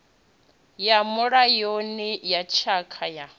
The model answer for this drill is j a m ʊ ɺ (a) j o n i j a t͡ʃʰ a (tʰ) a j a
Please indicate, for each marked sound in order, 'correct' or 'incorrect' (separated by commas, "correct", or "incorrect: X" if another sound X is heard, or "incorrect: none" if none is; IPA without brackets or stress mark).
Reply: correct, incorrect: kʰ